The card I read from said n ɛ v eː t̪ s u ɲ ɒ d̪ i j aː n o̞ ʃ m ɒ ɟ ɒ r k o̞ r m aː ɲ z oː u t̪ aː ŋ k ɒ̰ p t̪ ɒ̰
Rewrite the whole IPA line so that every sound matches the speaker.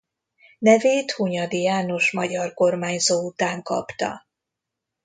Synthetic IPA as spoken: n ɛ v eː t̪ h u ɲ ɒ d̪ i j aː n o̞ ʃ m ɒ ɟ ɒ r k o̞ r m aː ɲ z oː u t̪ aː ŋ k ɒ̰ p t̪ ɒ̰